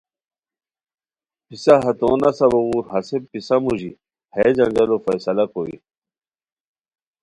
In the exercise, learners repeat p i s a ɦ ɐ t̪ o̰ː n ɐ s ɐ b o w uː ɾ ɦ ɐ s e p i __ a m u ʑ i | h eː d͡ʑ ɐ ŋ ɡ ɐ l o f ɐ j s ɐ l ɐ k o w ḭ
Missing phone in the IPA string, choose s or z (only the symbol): s